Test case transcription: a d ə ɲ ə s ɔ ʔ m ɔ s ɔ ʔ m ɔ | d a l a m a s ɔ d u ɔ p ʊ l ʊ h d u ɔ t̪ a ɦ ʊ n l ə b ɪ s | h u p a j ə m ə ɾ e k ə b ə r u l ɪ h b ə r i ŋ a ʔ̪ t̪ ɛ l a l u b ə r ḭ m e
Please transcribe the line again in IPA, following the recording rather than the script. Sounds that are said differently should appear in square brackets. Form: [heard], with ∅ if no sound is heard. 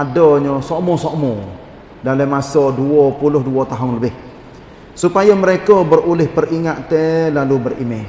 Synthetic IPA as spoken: a d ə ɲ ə s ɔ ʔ m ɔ s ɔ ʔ m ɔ | d a l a m a s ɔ d u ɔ p [u] l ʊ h d u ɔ t̪ a ɦ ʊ n l ə b ɪ [h] | [s] u p a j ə m ə ɾ e k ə b ə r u l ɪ h [p] ə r i ŋ a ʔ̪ t̪ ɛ l a l u b ə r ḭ m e